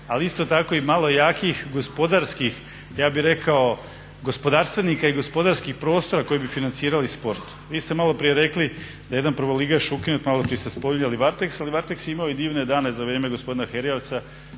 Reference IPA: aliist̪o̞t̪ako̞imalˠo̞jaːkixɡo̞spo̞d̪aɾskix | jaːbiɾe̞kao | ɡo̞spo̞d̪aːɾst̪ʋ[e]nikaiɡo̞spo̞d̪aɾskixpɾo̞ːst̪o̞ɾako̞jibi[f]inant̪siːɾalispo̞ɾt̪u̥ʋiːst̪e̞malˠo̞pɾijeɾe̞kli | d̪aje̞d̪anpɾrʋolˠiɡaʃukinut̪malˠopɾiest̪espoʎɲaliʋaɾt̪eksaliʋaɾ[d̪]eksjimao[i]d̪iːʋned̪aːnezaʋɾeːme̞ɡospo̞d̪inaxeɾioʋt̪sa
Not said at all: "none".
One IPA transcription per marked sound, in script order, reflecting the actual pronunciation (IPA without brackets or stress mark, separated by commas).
e, f, t̪, i